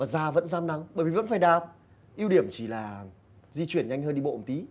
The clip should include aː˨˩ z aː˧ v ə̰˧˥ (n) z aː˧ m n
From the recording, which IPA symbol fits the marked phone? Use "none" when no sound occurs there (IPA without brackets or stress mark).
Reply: n